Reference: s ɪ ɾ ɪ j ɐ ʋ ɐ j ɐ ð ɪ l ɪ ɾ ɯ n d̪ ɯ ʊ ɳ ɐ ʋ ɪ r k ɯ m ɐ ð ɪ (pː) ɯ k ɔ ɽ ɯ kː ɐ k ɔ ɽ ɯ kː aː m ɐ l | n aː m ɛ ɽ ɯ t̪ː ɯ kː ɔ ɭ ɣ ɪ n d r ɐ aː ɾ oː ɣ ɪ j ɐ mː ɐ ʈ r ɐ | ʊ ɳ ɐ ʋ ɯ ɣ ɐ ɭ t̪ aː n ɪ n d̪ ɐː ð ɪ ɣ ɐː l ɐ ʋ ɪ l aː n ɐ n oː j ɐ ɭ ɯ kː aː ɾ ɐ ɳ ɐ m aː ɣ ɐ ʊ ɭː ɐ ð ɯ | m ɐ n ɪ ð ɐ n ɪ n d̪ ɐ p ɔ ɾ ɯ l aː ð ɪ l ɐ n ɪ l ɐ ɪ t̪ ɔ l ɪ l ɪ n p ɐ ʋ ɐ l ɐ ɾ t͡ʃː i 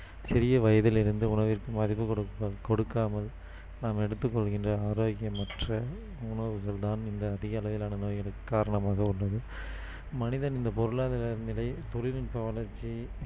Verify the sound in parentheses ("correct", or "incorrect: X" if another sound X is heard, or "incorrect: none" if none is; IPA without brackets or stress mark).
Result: correct